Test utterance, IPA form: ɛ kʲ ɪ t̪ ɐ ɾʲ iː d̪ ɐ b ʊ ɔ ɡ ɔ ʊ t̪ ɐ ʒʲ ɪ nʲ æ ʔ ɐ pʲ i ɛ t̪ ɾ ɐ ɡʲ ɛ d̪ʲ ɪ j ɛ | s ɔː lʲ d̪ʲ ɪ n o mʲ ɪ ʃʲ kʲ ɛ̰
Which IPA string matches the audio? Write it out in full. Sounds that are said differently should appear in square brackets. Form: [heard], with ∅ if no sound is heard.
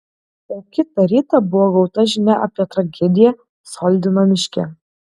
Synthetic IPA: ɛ kʲ ɪ t̪ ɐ ɾʲ iː [t̪] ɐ b ʊ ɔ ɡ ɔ ʊ t̪ ɐ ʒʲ ɪ nʲ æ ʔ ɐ pʲ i ɛ t̪ ɾ ɐ ɡʲ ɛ d̪ʲ ɪ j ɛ | s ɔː lʲ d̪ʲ ɪ n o mʲ ɪ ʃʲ kʲ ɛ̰